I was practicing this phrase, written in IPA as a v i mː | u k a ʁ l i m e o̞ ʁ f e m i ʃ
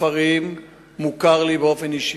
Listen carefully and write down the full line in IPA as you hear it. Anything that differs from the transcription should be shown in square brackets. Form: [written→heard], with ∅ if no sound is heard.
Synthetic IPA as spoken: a [v→ʁ] i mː | u k a ʁ l i [m→b] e o̞ [ʁ→∅] f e [m→n] i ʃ